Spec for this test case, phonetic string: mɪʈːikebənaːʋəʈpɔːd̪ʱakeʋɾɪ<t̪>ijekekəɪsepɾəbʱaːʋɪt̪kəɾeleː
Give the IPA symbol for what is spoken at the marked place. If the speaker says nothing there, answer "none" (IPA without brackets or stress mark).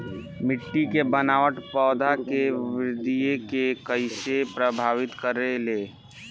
d̪